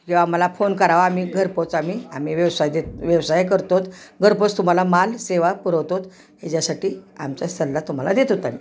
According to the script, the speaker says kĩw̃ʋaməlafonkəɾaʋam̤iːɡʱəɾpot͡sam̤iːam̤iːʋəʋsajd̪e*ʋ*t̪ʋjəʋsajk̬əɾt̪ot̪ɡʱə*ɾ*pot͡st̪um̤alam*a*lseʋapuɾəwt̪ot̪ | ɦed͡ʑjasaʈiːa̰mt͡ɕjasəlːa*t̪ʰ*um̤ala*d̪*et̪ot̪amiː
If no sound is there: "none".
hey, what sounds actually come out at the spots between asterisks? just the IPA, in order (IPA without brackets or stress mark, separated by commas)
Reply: none, ɾ, a, t̪, d̪